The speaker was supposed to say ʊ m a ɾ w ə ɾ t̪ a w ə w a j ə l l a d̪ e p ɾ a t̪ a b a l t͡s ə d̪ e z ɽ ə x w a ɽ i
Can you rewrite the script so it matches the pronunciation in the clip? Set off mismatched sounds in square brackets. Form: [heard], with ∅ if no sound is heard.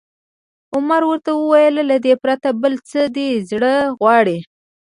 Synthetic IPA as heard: ʊ m a ɾ w ə ɾ t̪ a w ə w a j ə l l a d̪ e p ɾ a t̪ a b [ə] l t͡s ə d̪ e z ɽ ə [ɣ] w [ɑ] ɽ i